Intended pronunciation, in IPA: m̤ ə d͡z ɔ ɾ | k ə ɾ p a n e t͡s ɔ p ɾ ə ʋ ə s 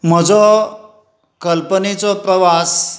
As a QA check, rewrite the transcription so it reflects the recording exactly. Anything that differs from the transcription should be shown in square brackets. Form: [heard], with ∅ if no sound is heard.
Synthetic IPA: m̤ ə d͡z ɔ [∅] | k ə [l] p [ə] n e t͡s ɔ p ɾ ə ʋ [a] s